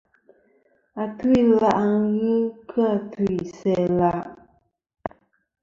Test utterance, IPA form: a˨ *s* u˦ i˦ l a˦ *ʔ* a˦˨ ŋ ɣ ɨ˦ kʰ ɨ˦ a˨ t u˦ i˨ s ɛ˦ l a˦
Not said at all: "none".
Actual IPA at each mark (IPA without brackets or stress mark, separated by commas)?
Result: t, ʔ